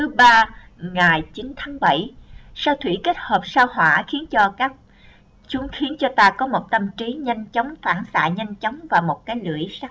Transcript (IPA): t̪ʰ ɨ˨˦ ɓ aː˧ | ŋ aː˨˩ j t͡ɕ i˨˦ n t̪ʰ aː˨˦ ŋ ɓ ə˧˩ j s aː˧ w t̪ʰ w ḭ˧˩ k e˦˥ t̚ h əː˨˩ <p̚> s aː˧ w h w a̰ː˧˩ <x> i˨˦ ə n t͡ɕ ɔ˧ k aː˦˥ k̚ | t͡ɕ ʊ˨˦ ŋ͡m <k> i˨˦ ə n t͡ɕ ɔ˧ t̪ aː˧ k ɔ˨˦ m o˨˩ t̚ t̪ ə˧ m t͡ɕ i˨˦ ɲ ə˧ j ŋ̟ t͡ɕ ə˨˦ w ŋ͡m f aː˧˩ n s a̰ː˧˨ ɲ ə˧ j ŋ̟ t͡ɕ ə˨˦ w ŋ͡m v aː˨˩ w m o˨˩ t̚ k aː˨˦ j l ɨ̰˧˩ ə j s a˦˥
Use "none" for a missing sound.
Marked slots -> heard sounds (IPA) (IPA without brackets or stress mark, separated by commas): p̚, x, x